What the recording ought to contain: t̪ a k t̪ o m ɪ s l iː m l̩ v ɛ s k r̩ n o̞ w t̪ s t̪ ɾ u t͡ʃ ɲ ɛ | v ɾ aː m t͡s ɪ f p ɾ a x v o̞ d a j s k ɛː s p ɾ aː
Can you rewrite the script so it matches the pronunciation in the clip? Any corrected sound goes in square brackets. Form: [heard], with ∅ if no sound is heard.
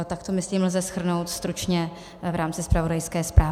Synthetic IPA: t̪ a k t̪ o m ɪ s l iː m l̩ [z] ɛ s [x] r̩ n o̞ w t̪ s t̪ ɾ u t͡ʃ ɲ ɛ | v ɾ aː m t͡s ɪ [s] p ɾ a [∅] v o̞ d a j s k ɛː s p ɾ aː